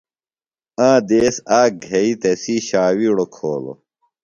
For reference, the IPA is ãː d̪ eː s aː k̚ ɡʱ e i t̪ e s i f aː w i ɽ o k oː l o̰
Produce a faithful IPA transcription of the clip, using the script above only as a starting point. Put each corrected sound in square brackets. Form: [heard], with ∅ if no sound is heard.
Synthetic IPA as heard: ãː d̪ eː s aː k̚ ɡʱ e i t̪ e s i [ɕ] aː w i ɽ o [kʰ] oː l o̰